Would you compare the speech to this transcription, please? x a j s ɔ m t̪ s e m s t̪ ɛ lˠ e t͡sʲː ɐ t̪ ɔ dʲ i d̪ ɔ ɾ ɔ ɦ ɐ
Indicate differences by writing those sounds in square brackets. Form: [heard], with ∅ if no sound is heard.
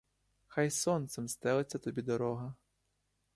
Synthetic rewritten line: x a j s ɔ [n] t̪ s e m s t̪ ɛ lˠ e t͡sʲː ɐ t̪ ɔ [bʲ] i d̪ ɔ ɾ ɔ ɦ ɐ

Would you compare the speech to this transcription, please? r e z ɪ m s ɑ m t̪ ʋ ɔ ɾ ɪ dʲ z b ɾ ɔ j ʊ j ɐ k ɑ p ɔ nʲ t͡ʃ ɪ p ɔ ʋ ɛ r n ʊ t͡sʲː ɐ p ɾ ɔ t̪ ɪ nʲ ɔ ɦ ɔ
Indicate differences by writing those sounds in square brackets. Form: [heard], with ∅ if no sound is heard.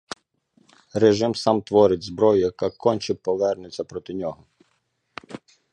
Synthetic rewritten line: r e [ʒ] ɪ m s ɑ m t̪ ʋ ɔ ɾ ɪ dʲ z b ɾ ɔ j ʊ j ɐ k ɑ [k] ɔ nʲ t͡ʃ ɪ p ɔ ʋ ɛ r n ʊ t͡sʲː ɐ p ɾ ɔ t̪ ɪ nʲ ɔ ɦ ɔ

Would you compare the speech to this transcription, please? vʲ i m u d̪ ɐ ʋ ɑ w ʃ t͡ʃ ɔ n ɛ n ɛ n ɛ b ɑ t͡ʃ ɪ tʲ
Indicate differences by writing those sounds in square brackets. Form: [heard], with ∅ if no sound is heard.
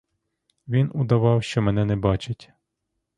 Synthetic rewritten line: [ʋʲ] i [n] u d̪ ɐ ʋ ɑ w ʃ t͡ʃ ɔ [m] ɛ n ɛ n ɛ b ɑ t͡ʃ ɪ tʲ

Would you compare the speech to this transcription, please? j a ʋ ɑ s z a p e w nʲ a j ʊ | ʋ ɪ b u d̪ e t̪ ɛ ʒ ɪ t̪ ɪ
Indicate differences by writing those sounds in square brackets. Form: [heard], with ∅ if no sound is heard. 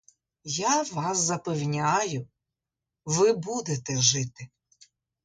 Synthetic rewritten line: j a ʋ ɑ s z [ɐ] p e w nʲ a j ʊ | ʋ ɪ b u d̪ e t̪ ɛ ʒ ɪ t̪ ɪ

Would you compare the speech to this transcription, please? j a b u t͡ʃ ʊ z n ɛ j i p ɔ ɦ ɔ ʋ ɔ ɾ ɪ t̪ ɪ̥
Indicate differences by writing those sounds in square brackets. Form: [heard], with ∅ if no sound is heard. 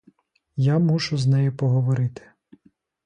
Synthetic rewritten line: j a [m] u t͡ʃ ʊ z n ɛ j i p ɔ ɦ ɔ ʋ ɔ ɾ ɪ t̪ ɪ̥

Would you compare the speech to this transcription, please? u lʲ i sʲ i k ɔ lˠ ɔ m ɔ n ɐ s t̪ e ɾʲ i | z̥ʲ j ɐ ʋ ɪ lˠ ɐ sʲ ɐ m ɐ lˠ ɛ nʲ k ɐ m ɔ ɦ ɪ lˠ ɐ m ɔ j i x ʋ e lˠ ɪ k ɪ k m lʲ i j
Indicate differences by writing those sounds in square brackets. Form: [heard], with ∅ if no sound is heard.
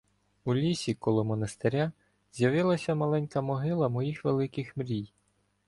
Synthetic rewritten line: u lʲ i sʲ i k ɔ lˠ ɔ m ɔ n ɐ s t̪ e ɾʲ [a] | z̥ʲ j ɐ ʋ ɪ lˠ ɐ sʲ ɐ m ɐ lˠ ɛ nʲ k ɐ m ɔ ɦ ɪ lˠ ɐ m ɔ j i x ʋ e lˠ ɪ k ɪ [x] m [ɾʲ] i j

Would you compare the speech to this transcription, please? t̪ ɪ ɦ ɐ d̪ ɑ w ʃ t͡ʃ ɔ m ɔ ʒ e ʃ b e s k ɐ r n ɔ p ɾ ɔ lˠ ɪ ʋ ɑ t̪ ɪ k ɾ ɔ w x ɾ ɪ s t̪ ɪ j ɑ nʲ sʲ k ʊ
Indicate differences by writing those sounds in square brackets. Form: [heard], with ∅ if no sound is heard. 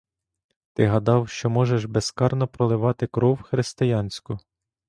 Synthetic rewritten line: t̪ ɪ ɦ ɐ d̪ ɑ w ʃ t͡ʃ ɔ m ɔ ʒ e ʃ b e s k [ɑ] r n ɔ p ɾ ɔ lˠ ɪ ʋ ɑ t̪ ɪ k ɾ ɔ w x ɾ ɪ s t̪ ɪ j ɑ nʲ sʲ k ʊ

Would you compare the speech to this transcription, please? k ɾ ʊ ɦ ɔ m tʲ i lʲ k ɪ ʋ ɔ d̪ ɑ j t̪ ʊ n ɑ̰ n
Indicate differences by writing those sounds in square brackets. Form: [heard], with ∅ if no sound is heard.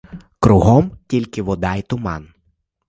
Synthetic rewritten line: k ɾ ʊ ɦ ɔ m tʲ i lʲ k ɪ ʋ ɔ d̪ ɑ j t̪ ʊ [m] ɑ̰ n

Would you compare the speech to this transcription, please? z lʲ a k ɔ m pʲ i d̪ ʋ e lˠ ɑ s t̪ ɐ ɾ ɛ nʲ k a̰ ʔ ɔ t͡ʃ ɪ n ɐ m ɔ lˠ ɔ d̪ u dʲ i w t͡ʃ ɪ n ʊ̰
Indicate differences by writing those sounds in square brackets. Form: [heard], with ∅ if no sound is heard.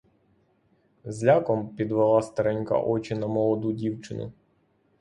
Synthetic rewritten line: z lʲ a k ɔ m pʲ i d̪ ʋ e lˠ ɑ s t̪ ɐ ɾ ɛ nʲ k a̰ ʔ ɔ t͡ʃ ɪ n ɐ m ɔ lˠ ɔ d̪ u dʲ i w t͡ʃ ɪ n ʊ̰

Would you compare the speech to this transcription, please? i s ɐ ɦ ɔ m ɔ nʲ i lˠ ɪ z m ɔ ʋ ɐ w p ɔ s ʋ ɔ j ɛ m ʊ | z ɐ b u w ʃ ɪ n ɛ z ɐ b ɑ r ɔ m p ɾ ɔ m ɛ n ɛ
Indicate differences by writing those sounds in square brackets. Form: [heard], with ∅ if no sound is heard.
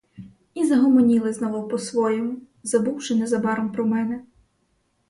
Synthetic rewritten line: i [z] ɐ ɦ ɔ m ɔ nʲ i lˠ ɪ z [n] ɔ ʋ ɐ w p ɔ s ʋ ɔ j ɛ m ʊ | z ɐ b u w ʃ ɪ n ɛ z ɐ b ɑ [ɾ] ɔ m p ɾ ɔ m ɛ n ɛ

